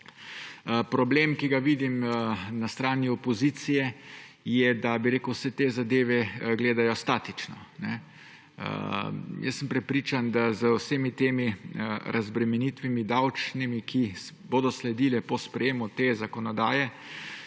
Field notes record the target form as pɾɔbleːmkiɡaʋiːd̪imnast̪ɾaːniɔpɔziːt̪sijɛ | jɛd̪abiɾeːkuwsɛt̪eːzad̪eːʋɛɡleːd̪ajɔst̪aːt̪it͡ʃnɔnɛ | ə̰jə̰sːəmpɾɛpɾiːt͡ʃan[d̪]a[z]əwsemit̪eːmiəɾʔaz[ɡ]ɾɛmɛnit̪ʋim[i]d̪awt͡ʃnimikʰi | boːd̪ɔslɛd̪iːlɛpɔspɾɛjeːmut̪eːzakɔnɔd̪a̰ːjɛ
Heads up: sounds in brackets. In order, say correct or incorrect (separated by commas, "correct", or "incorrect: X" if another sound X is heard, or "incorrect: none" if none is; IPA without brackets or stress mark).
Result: correct, correct, incorrect: b, correct